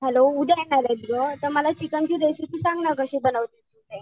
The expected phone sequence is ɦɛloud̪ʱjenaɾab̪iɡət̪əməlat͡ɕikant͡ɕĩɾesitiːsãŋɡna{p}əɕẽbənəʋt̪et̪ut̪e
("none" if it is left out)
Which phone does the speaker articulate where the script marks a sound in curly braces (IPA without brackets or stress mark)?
k